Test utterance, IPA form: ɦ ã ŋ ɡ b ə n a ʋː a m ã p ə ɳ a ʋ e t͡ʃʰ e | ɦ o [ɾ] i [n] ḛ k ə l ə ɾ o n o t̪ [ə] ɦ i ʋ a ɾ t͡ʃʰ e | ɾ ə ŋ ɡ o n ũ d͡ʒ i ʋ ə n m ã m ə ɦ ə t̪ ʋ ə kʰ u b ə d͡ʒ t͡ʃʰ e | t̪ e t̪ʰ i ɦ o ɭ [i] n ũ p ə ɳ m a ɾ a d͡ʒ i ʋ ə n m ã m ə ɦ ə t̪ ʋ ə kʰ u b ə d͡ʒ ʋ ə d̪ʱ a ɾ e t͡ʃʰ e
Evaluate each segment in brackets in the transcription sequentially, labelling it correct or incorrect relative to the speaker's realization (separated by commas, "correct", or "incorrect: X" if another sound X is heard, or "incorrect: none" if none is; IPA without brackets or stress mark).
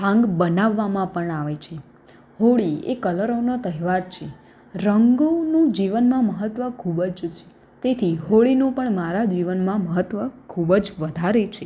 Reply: incorrect: ɭ, incorrect: none, correct, correct